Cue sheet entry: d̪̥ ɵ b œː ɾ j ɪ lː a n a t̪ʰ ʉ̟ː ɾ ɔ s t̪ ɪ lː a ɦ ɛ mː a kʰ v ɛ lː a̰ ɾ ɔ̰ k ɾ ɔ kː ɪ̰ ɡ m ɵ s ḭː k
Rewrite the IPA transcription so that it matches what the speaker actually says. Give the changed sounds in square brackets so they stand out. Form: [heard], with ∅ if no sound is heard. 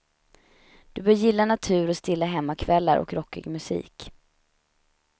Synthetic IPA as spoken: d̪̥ ɵ b œː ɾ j ɪ lː a n a t̪ʰ ʉ̟ː ɾ ɔ s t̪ ɪ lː a ɦ ɛ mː a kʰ v ɛ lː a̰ ɾ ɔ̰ k ɾ ɔ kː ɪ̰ ɡ m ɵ s ḭː k